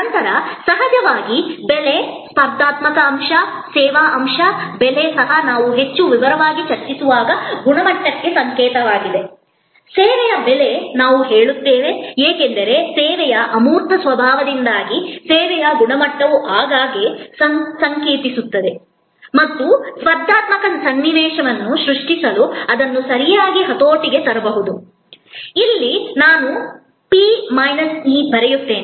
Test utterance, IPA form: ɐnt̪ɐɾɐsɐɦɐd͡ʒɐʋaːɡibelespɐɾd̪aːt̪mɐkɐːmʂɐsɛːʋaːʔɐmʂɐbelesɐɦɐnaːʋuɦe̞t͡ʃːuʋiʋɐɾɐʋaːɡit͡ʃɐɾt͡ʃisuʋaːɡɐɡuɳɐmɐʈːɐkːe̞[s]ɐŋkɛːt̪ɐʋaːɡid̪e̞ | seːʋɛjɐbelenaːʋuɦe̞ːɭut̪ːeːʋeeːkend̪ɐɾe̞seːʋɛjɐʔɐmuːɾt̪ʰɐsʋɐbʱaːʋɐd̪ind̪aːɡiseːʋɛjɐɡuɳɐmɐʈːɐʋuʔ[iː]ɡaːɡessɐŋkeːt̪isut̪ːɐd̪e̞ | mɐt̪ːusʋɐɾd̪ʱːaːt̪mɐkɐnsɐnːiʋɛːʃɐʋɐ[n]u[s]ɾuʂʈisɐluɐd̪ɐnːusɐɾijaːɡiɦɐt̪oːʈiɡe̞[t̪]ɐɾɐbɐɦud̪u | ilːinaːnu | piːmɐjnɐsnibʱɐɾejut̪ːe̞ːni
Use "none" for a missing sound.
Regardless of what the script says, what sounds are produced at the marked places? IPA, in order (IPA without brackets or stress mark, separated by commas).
s, aː, nː, ʃ, t̪